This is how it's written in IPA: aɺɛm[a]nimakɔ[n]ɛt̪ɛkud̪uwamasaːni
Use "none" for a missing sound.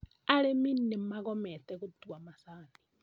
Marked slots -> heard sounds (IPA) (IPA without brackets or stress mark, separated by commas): i, m